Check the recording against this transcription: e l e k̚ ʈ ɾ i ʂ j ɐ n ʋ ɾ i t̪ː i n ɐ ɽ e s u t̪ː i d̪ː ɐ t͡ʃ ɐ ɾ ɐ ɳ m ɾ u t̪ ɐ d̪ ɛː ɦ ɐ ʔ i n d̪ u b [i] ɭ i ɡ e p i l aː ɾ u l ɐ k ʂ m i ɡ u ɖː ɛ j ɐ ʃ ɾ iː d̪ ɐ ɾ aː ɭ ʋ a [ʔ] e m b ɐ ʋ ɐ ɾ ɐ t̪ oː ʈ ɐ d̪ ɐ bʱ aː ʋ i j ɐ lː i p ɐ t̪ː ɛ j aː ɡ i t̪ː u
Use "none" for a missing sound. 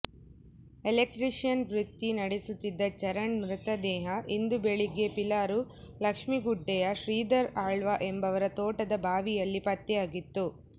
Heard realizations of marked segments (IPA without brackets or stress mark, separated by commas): e, ʔ